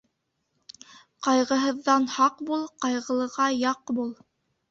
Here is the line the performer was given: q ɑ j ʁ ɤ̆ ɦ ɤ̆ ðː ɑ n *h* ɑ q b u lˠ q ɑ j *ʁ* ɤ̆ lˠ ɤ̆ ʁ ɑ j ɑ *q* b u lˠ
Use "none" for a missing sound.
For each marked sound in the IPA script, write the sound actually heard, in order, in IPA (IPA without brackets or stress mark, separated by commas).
h, ʁ, q